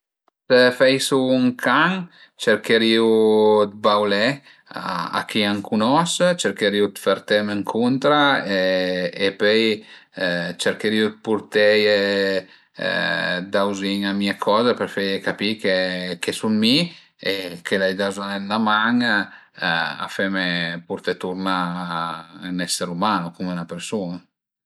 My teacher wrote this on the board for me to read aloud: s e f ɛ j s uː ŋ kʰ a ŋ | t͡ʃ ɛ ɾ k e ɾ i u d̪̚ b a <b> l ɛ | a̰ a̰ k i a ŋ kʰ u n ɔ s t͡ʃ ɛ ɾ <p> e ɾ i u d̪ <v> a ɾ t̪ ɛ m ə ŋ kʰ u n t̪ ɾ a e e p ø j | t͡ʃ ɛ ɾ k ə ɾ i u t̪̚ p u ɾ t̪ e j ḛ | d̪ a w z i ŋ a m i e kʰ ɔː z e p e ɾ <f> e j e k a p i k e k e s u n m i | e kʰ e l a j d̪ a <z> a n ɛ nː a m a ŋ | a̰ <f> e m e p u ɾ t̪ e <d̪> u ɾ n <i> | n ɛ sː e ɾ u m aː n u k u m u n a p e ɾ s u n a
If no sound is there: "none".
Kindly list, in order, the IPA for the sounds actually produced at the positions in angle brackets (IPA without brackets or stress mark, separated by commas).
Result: w, k, f, f, z, f, t̪, a